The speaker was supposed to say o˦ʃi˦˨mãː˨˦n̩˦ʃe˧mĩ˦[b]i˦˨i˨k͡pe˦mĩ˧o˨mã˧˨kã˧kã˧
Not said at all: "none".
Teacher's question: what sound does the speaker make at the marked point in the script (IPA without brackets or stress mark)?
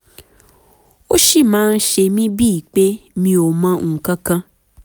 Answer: b